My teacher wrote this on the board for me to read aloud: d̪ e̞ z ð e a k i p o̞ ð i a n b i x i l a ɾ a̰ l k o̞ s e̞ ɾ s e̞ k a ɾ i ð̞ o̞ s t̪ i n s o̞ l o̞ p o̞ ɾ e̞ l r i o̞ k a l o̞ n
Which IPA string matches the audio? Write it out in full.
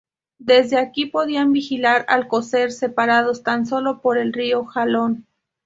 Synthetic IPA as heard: d̪ e̞ z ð e a k i p o̞ ð i a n b i x i l a ɾ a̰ l k o̞ s e̞ ɾ s e̞ p a ɾ a ð̞ o̞ s t̪ a n s o̞ l o̞ p o̞ ɾ e̞ l r i o̞ x a l o̞ n